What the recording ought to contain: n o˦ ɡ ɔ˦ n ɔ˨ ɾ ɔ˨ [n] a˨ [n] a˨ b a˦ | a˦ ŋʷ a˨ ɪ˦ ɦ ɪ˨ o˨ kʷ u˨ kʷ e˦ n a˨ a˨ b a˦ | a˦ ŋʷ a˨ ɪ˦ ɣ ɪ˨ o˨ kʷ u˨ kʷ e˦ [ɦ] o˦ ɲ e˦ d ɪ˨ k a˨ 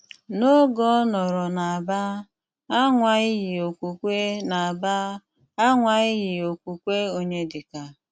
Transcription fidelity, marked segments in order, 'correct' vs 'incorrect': correct, incorrect: none, incorrect: none

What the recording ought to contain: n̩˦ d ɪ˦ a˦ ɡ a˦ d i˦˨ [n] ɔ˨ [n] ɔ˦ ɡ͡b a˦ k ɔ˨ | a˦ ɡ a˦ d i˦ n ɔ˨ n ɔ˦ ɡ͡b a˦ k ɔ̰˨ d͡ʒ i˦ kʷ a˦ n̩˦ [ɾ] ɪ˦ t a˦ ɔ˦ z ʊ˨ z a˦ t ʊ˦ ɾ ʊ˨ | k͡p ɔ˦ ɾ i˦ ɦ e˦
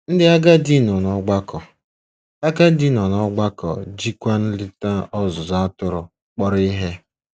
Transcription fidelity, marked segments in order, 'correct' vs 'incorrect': correct, correct, incorrect: l

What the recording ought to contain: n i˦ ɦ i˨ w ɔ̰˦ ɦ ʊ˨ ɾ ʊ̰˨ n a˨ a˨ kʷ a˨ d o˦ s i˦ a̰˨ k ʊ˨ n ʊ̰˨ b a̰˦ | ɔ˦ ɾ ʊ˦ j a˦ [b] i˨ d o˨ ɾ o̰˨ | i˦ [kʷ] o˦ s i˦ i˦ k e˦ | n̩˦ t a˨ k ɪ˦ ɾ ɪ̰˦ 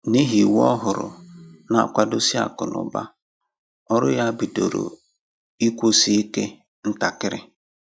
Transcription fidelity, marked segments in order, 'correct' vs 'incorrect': correct, correct

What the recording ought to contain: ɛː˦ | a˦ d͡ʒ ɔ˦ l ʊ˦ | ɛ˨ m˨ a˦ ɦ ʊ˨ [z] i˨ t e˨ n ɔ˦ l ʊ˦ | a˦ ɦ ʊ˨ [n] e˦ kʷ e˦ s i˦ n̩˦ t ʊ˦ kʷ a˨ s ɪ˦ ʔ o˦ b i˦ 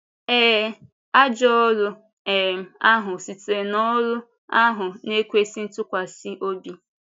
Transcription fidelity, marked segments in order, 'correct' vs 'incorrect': incorrect: s, correct

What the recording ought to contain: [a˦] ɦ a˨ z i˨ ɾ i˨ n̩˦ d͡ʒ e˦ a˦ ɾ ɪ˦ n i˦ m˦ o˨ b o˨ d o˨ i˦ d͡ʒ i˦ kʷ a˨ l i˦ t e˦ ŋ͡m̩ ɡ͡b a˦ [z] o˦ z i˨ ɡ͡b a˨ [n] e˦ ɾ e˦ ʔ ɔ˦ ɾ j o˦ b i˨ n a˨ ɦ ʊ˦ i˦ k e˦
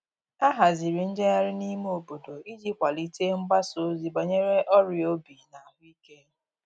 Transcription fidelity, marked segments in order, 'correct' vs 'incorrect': correct, incorrect: s, incorrect: ɲ

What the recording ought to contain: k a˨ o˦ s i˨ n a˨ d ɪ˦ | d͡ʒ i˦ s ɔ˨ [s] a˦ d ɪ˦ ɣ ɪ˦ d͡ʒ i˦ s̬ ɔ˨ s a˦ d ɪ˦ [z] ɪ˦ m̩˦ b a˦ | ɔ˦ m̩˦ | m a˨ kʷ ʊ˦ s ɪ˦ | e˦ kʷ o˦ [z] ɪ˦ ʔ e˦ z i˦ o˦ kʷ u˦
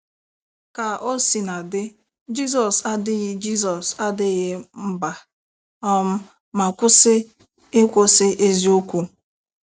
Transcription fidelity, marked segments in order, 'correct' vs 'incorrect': correct, incorrect: ɣ, incorrect: s

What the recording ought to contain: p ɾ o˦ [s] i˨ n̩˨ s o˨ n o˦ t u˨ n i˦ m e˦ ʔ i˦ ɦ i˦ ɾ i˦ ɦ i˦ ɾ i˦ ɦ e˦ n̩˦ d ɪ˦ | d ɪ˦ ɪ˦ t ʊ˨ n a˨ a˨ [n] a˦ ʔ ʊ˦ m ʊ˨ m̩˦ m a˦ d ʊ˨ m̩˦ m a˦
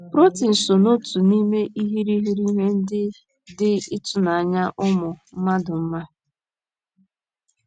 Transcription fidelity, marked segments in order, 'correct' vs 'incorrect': incorrect: t, incorrect: ɲ

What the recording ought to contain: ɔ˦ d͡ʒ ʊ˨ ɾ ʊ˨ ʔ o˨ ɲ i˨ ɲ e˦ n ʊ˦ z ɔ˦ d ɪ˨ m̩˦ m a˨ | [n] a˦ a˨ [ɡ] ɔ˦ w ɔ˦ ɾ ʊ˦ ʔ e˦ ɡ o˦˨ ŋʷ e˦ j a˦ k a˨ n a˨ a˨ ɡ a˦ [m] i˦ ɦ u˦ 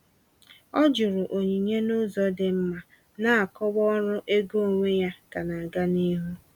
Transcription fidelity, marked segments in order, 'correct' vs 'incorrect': correct, incorrect: k, incorrect: n

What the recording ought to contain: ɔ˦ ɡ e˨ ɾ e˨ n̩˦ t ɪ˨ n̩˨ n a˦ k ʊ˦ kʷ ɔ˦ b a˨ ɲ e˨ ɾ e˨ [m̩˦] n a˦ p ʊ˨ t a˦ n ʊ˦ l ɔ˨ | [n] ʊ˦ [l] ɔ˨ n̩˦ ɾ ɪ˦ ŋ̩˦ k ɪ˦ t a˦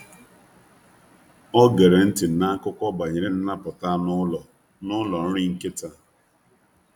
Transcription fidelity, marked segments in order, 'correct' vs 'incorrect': incorrect: n̩˦, correct, correct

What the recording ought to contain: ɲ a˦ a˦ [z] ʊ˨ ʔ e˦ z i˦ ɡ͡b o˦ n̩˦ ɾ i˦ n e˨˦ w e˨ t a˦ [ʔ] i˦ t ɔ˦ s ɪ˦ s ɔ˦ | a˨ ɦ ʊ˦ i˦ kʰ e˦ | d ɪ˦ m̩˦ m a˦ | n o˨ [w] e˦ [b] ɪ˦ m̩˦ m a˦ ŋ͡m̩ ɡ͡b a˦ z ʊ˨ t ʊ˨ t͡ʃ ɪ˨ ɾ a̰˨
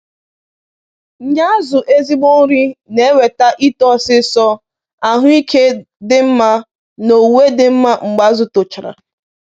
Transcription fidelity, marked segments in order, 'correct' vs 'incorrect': correct, correct, correct, incorrect: d

